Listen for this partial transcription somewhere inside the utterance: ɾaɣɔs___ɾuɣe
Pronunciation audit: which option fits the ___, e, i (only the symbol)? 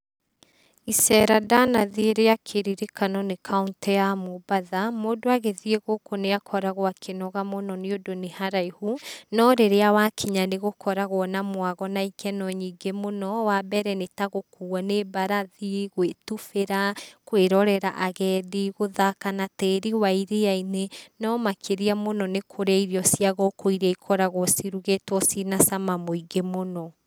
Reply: i